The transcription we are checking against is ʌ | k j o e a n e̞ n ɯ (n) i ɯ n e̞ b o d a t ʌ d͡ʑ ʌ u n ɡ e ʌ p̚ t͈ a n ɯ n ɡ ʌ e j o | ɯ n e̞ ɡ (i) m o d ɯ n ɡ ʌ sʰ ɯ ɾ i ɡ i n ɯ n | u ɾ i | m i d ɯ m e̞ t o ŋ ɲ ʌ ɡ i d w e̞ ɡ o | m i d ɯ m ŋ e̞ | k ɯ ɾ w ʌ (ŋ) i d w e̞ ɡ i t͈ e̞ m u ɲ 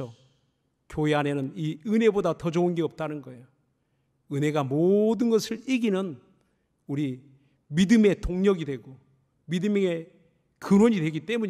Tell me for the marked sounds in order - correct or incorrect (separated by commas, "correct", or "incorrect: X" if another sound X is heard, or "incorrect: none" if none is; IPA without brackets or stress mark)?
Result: correct, incorrect: a, incorrect: ɲ